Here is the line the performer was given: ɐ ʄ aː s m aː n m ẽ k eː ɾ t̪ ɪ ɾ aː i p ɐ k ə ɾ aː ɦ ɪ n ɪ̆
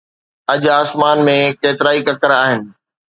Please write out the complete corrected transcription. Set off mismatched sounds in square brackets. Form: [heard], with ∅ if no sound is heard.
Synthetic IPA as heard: ɐ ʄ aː s m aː n m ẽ k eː [∅] t̪ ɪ ɾ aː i [k] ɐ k ə ɾ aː ɦ ɪ n ɪ̆